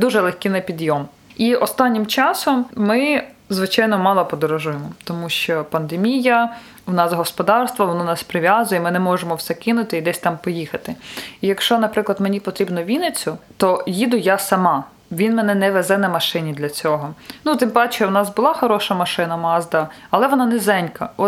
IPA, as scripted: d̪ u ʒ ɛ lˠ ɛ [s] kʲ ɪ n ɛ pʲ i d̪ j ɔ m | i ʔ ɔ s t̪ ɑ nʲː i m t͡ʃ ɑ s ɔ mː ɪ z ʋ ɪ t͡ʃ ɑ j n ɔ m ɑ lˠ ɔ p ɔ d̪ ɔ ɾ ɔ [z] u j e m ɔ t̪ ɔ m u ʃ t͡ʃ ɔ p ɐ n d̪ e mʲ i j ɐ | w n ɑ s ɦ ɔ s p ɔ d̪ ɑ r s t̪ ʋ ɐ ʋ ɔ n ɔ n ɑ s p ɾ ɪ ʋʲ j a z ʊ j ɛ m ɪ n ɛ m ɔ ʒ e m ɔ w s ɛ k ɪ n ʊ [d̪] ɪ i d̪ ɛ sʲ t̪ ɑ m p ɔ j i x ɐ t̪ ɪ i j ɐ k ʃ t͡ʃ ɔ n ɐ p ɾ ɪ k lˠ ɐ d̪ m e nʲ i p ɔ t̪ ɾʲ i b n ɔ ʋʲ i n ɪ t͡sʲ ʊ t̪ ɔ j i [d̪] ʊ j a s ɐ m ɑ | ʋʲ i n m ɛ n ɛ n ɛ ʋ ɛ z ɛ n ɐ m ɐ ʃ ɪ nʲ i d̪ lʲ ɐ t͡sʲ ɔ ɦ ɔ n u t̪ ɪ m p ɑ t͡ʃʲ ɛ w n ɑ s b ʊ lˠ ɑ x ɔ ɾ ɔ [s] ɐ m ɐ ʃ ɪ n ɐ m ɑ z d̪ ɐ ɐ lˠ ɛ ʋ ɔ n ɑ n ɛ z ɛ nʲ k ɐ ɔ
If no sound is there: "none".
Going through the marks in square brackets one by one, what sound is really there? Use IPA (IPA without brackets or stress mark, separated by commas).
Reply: x, ʒ, t̪, d̪, ʃ